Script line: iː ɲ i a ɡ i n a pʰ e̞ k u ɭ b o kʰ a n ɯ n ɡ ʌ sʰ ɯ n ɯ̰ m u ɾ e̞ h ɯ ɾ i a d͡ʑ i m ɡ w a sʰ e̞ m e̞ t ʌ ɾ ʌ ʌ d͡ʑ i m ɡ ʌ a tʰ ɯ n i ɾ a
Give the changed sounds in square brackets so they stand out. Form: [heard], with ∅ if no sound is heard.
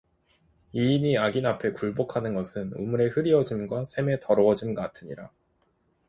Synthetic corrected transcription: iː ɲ i a ɡ i n a pʰ e̞ k u ɭ b o kʰ a n ɯ n ɡ ʌ sʰ ɯ n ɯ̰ m u ɾ e̞ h ɯ ɾ i [ʌ] d͡ʑ i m ɡ w a sʰ e̞ m e̞ t ʌ ɾ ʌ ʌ d͡ʑ i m ɡ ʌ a tʰ ɯ [ɲ] i ɾ a